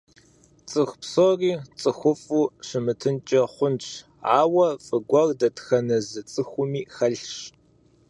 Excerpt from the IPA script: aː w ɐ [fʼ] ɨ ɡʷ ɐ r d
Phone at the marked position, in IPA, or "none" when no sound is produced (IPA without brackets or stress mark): fʼ